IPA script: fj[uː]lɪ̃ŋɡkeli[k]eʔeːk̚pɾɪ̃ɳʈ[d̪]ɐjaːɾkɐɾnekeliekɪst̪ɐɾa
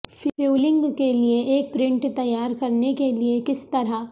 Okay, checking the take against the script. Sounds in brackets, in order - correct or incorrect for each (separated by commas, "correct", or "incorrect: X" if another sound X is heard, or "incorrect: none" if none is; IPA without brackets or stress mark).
correct, incorrect: none, incorrect: t̪